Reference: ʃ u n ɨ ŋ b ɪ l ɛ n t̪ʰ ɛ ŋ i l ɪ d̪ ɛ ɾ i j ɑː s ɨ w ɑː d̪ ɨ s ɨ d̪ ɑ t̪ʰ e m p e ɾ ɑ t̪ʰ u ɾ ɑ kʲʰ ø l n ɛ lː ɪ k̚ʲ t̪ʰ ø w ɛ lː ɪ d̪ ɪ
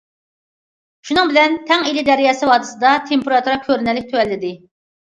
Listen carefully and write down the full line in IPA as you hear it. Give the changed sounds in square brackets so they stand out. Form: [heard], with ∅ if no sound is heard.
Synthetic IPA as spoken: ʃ u n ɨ ŋ b ɪ l ɛ n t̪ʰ ɛ ŋ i l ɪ d̪ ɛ ɾ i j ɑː s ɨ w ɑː d̪ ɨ s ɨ d̪ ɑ t̪ʰ e m p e ɾ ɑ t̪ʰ u ɾ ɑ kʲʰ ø [ɾ] n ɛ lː ɪ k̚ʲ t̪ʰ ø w ɛ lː ɪ d̪ ɪ